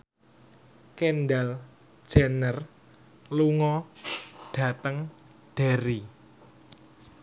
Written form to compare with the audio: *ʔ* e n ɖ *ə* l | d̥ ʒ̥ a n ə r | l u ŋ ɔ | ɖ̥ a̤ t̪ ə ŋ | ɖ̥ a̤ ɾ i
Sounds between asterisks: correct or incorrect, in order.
incorrect, incorrect

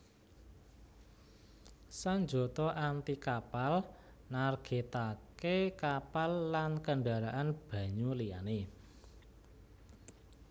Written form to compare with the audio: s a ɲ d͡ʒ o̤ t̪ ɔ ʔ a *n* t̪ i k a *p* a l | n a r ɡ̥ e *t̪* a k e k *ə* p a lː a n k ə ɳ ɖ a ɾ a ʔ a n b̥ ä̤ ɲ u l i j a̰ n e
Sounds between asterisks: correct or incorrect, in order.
correct, correct, correct, incorrect

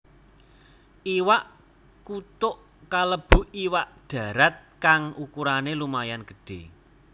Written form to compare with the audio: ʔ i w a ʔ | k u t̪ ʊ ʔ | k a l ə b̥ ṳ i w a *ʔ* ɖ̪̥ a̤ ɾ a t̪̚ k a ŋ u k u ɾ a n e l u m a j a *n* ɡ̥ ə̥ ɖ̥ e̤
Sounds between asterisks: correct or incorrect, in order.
correct, correct

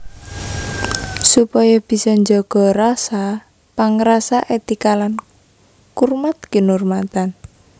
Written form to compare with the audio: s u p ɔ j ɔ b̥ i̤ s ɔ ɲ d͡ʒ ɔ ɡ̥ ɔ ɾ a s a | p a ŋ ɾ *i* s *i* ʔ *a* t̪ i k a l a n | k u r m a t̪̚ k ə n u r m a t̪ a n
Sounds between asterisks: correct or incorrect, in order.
incorrect, incorrect, incorrect

